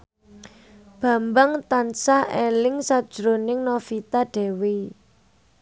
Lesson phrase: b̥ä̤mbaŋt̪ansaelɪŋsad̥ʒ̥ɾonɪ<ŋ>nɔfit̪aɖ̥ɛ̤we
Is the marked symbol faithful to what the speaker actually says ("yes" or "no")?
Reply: yes